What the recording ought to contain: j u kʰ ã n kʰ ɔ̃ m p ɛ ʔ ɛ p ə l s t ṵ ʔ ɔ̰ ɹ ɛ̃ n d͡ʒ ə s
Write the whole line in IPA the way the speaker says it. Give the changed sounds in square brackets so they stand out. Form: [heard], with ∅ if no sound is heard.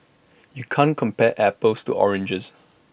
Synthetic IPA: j u kʰ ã n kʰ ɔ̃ m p ɛ ʔ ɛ p ə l s t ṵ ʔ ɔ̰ ɹ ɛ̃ n d͡ʒ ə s